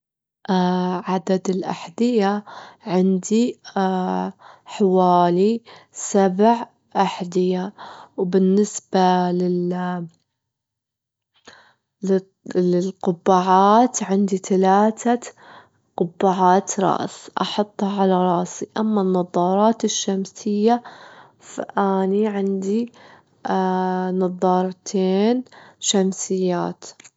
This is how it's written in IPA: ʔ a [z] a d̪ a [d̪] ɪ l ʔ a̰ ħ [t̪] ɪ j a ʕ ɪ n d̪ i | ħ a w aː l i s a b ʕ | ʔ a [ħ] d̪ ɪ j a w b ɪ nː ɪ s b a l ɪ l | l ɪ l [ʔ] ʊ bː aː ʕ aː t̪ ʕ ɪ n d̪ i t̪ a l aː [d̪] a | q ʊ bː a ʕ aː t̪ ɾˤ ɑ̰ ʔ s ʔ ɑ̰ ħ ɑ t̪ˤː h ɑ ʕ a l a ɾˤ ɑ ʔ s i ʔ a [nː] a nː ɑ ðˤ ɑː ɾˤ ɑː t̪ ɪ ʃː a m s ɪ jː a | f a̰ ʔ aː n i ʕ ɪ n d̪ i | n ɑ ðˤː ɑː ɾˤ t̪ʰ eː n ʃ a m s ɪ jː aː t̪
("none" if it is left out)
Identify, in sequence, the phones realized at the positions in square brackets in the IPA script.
ʕ, d̪, d̪, ħ, q, t̪, mː

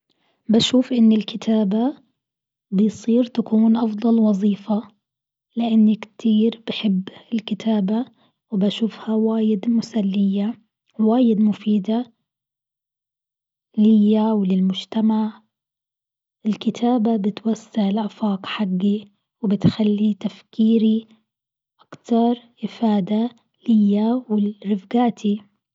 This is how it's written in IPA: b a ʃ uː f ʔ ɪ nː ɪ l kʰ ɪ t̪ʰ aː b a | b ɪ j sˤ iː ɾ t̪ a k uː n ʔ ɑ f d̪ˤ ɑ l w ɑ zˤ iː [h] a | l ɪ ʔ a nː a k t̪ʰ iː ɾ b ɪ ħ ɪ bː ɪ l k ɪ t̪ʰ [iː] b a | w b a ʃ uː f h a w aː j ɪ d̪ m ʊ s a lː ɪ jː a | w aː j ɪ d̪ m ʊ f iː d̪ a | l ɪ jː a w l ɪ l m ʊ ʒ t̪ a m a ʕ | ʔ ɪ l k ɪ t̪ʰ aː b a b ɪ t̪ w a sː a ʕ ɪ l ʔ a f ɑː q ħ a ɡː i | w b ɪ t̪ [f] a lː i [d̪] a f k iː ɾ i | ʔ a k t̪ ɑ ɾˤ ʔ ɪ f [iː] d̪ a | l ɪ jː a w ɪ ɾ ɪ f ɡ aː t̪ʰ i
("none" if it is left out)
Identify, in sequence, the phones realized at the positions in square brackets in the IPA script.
f, aː, x, t̪, aː

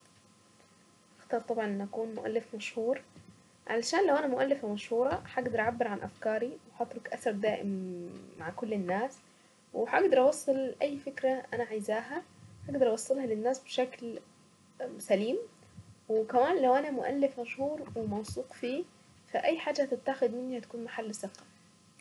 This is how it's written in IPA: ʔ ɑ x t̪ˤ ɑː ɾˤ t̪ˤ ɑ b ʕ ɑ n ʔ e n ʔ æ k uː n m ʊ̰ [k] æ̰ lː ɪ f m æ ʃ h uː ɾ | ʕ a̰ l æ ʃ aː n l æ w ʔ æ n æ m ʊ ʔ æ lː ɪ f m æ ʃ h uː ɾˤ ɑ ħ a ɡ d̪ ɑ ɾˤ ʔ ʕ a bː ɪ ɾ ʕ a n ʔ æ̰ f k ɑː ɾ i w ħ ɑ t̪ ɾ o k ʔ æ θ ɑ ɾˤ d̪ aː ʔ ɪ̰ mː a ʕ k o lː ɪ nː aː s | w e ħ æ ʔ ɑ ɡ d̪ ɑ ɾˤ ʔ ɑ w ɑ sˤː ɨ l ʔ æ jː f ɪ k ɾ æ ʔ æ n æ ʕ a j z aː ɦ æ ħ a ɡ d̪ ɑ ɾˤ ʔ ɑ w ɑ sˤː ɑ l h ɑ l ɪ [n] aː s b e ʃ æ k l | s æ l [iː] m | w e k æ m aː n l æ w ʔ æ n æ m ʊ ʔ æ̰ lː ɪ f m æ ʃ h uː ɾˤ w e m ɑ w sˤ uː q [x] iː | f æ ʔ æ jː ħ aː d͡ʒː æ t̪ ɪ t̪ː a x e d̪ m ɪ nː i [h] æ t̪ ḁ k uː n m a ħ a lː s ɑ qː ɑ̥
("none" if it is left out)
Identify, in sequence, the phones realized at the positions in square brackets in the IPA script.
ʔ, nː, iː, f, h

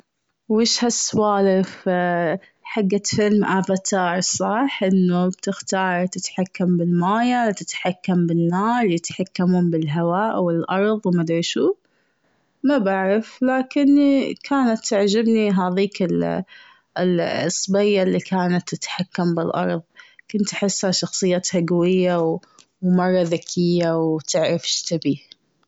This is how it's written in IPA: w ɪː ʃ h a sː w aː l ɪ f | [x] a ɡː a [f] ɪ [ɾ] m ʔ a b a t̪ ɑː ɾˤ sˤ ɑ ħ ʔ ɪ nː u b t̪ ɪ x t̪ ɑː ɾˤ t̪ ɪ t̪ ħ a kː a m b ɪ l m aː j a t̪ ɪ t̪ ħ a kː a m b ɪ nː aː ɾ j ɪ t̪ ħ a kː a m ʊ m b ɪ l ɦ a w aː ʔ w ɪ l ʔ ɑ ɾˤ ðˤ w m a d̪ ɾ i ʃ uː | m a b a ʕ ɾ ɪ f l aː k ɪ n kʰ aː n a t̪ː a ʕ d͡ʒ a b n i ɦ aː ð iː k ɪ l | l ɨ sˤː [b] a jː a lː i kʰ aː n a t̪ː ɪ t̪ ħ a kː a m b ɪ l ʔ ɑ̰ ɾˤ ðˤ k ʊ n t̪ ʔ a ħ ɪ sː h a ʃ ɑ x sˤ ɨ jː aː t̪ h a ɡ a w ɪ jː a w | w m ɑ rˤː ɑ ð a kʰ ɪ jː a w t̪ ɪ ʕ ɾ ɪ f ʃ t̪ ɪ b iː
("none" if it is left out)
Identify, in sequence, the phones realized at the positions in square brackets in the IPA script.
ħ, f, l, b

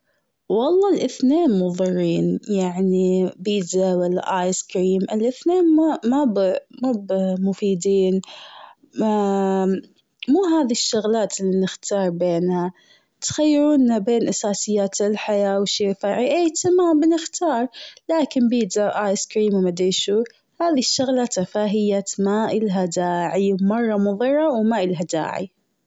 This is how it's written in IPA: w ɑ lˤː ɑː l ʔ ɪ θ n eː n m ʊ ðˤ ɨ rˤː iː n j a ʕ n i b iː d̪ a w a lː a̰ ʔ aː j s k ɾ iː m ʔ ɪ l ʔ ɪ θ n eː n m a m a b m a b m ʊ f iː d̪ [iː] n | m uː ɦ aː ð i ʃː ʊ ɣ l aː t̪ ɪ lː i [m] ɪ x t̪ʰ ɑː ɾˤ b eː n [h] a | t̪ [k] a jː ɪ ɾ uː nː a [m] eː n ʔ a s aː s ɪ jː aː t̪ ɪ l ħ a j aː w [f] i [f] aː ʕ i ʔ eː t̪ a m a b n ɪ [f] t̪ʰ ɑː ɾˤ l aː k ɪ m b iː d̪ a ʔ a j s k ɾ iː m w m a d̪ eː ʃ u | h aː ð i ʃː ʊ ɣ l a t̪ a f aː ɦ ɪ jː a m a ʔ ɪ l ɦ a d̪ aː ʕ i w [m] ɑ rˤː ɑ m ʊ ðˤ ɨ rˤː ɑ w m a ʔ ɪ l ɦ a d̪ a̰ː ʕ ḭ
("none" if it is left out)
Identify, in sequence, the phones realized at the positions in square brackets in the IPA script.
iː, n, h, x, b, ʃ, f, x, m

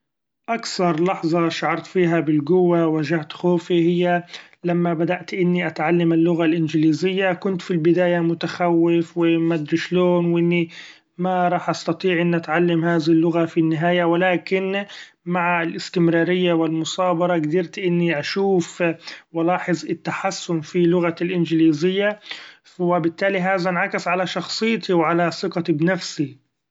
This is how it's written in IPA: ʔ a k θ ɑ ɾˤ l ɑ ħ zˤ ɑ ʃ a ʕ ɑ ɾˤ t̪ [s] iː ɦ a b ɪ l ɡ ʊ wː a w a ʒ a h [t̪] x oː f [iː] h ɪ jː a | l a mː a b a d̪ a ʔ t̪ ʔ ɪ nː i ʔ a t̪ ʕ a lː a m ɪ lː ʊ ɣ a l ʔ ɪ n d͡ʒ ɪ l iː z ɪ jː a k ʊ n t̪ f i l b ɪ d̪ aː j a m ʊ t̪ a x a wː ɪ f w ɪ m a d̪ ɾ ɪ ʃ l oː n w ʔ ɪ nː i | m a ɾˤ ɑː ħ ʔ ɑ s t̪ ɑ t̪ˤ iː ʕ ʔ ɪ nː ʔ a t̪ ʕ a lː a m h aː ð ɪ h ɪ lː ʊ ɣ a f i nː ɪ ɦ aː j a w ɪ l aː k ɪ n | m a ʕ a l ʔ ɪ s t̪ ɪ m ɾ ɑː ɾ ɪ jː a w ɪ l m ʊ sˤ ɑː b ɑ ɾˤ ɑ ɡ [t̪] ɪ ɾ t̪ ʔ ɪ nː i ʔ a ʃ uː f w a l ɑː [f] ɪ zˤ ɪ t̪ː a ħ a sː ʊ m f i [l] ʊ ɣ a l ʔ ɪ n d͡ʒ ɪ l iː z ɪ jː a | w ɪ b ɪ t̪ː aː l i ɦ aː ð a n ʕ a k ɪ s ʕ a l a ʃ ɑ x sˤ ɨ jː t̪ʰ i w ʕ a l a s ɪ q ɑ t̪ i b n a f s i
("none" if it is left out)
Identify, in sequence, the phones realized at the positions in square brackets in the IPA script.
f, t̪, i, d̪, ħ, l

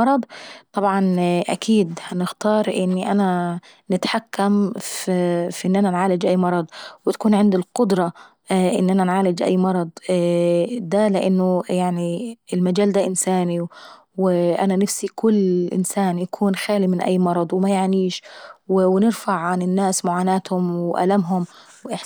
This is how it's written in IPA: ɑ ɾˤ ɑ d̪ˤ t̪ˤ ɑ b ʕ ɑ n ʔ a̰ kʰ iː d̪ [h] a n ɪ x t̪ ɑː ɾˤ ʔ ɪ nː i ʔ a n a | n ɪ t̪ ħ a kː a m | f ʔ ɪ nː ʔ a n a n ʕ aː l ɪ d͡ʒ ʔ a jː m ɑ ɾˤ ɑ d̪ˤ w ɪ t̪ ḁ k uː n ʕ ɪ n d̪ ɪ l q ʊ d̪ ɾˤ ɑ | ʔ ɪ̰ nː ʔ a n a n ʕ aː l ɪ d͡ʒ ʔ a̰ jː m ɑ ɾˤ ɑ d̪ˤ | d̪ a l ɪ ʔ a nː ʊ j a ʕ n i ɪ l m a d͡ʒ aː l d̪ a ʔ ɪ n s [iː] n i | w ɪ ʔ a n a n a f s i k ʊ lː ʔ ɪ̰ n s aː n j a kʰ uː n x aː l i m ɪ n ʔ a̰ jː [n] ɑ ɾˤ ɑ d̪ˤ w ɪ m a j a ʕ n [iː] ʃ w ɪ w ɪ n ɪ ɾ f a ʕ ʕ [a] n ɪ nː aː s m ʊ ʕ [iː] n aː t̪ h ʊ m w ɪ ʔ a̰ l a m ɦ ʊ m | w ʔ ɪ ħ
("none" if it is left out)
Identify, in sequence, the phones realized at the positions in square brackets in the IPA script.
h, aː, m, iː, a, aː

